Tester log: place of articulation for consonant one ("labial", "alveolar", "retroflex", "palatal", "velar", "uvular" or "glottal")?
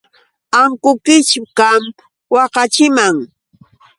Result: velar